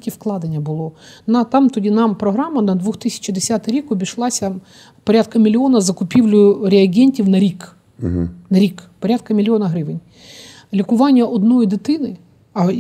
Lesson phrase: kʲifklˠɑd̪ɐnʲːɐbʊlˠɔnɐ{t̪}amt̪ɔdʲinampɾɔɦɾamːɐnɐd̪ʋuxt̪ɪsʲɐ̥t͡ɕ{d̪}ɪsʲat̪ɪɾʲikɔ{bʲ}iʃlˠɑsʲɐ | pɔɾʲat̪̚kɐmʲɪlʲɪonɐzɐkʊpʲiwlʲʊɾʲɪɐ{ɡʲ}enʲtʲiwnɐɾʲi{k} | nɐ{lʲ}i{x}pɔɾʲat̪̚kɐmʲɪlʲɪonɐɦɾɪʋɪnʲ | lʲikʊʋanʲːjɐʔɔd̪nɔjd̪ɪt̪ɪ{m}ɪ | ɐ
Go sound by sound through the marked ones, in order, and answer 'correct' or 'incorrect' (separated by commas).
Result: correct, correct, correct, correct, correct, incorrect, incorrect, incorrect